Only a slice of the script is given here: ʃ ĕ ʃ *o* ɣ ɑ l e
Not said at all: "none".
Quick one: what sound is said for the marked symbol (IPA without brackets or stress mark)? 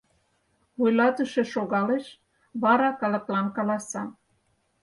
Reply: o